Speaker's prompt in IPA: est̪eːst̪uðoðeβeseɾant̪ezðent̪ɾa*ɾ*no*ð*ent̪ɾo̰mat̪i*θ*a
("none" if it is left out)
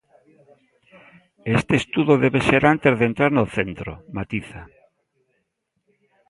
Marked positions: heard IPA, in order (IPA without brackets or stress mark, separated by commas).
ɾ, θ, θ